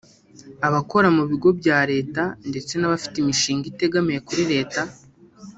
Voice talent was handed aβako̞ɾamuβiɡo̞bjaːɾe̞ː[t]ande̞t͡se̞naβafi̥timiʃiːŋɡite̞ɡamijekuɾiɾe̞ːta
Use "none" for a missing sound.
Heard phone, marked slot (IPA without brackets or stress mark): t